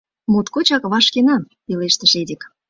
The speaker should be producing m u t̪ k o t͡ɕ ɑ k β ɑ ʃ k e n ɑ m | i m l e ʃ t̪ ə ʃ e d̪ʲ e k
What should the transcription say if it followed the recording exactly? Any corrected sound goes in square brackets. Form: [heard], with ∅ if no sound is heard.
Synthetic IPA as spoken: m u t̪ k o t͡ɕ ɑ k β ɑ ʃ k e n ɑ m | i [∅] l e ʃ t̪ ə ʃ e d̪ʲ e k